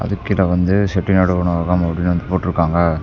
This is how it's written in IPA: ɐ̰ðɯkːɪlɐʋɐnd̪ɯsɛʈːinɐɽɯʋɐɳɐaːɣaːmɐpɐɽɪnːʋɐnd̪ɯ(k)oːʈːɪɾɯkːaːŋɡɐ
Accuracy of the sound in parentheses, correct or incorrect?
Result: incorrect: p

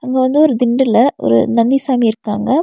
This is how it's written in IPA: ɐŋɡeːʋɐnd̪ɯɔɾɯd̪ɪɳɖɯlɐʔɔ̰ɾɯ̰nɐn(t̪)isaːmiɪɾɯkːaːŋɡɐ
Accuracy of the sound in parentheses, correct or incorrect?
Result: incorrect: d̪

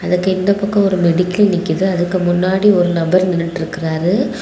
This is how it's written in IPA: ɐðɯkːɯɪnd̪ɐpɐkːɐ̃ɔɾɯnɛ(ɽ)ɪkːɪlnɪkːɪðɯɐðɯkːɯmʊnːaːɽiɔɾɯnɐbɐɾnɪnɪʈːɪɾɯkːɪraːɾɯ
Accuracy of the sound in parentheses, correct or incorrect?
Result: correct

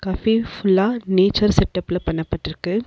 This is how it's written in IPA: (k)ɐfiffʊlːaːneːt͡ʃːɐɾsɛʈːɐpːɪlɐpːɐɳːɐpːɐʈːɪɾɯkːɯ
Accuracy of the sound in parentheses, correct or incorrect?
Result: correct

